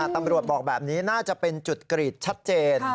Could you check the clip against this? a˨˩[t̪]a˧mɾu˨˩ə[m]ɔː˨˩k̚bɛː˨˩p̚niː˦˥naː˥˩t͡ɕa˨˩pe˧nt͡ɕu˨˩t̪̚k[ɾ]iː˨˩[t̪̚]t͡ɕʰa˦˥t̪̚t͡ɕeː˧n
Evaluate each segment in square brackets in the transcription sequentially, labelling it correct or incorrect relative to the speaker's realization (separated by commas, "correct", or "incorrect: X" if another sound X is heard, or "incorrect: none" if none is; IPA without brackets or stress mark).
correct, incorrect: b, correct, correct